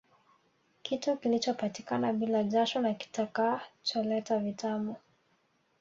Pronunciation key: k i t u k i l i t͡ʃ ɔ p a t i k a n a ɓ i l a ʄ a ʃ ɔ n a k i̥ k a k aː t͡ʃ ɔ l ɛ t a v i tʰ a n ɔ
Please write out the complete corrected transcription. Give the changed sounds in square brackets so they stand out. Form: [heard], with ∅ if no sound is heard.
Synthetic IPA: k i t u k i l i t͡ʃ ɔ p a t i k a n a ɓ i l a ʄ a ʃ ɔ n a k i̥ [t] a k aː t͡ʃ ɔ l ɛ t a v i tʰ a [m] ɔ

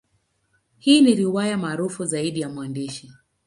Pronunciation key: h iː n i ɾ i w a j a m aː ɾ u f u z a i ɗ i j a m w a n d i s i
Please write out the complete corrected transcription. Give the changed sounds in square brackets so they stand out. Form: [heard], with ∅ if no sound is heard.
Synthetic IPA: h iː n i ɾ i w a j a m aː ɾ u f u z a i ɗ i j a m w a n d i [ʃ] i

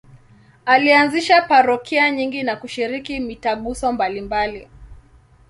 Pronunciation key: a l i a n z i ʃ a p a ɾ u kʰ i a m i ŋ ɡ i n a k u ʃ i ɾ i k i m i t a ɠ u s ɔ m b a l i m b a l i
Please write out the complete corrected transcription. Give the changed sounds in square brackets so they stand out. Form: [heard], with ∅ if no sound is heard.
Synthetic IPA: a l i a n z i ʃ a p a ɾ [ɔ] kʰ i a [ɲ] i ŋ ɡ i n a k u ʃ i ɾ i k i m i t a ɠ u s ɔ m b a l i m b a l i

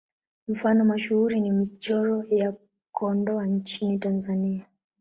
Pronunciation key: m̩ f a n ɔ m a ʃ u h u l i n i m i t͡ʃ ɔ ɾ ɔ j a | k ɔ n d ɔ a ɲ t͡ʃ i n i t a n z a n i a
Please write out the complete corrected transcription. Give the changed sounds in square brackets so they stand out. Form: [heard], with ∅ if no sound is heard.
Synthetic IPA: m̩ f a n ɔ m a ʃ u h u [ɾ] i n i m i t͡ʃ ɔ ɾ ɔ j a | k ɔ n d ɔ a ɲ t͡ʃ i n i t a n z a n i a

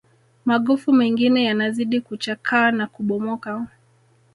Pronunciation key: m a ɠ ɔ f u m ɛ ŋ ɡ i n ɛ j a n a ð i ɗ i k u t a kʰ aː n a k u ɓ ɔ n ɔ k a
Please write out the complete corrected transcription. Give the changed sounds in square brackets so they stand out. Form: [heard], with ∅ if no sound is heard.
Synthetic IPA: m a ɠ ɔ f u m ɛ ŋ ɡ i n ɛ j a n a [z] i ɗ i k u [t͡ʃ] a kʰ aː n a k u ɓ ɔ [m] ɔ k a

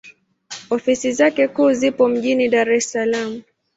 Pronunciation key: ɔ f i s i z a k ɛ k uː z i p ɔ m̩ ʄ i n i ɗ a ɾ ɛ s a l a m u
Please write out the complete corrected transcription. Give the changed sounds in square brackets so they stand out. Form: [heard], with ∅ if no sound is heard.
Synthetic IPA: ɔ f i s i z a k ɛ k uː z i p ɔ m̩ ʄ i n i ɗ a ɾ ɛ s a l a m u

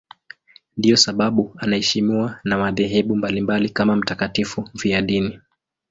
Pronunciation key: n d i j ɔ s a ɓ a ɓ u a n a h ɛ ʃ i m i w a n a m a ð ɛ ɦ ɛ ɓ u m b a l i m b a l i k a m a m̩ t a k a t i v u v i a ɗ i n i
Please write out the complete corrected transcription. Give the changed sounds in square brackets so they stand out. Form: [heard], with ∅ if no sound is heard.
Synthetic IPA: n d i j ɔ s a ɓ a ɓ u a n a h ɛ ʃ i m i w a n a m a ð ɛ ɦ ɛ ɓ u m b a l i m b a l i k a m a m̩ t a k a t i [f] u v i a ɗ i n i

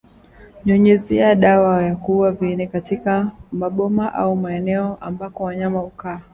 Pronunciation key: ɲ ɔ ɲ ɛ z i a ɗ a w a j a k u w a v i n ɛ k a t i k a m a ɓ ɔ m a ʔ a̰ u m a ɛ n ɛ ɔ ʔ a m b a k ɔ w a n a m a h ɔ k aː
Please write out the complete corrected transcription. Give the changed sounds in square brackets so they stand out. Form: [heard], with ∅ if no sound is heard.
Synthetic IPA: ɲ ɔ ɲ ɛ z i a ɗ a w a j a k u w a v i n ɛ k a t i k a m a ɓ ɔ m a ʔ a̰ u m a ɛ n ɛ ɔ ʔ a m b a k ɔ w a [ɲ] a m a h [u] k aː

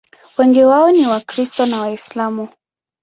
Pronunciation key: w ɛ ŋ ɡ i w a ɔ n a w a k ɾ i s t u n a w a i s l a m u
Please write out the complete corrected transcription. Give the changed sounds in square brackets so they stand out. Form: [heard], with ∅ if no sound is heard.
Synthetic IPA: w ɛ ŋ ɡ i w a ɔ n [i] w a k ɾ i s t [ɔ] n a w a i s l a m u

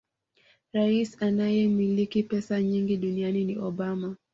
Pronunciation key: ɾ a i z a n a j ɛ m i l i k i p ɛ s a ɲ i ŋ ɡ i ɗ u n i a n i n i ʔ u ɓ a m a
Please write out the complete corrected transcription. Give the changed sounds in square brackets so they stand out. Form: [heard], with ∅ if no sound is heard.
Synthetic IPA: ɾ a i [s] a n a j ɛ m i l i k i p ɛ s a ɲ i ŋ ɡ i ɗ u n i a n i n i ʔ [ɔ] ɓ a m a

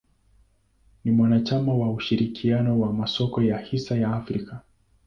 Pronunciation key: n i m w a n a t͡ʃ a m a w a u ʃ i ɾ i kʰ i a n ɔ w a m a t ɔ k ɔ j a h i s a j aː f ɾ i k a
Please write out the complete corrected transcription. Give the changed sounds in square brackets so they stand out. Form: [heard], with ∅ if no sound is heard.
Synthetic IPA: n i m w a n a t͡ʃ a m a w a u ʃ i ɾ i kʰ i a n ɔ w a m a [s] ɔ k ɔ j a h i s a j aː f ɾ i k a

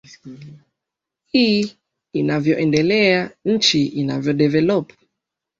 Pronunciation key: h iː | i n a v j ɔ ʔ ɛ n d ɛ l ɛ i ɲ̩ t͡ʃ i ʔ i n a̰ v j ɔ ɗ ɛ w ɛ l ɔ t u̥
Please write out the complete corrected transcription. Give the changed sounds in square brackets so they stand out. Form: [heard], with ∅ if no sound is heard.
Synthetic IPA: h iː | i n a v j ɔ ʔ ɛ n d ɛ l ɛ [a] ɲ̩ t͡ʃ i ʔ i n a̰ v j ɔ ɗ ɛ [v] ɛ l ɔ [p] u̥

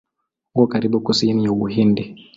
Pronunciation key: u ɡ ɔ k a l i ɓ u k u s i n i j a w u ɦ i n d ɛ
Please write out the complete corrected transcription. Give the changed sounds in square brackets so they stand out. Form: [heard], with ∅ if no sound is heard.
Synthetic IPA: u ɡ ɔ k a [ɾ] i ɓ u k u s i n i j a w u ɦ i n d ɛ

